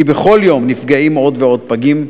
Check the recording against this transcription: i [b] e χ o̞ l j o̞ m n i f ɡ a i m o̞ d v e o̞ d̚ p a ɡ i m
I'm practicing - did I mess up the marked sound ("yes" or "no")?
no